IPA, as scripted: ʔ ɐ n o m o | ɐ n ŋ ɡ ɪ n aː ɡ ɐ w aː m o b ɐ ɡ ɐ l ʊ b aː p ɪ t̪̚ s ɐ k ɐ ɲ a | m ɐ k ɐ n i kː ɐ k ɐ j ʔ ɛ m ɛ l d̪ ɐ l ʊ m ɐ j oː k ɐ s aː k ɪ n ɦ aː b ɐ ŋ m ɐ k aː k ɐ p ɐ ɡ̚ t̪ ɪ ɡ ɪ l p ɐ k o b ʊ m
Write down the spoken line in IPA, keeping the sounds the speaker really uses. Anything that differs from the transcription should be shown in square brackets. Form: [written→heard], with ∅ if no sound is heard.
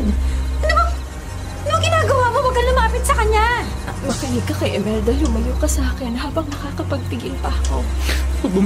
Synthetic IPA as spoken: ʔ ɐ n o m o | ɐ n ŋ ɡ ɪ n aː ɡ ɐ w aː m o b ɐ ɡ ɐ l ʊ [b→m] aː p ɪ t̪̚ s ɐ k ɐ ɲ a | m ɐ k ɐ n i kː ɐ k ɐ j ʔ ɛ m ɛ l d̪ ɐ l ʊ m ɐ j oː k ɐ s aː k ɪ n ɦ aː b ɐ ŋ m ɐ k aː k ɐ p ɐ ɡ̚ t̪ ɪ ɡ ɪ l p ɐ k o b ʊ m